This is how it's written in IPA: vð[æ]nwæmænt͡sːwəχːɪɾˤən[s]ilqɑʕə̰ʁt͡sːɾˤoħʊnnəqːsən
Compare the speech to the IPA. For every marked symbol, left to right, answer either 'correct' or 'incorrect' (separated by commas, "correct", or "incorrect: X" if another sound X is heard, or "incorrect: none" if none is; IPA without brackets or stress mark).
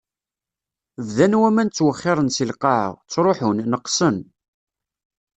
correct, correct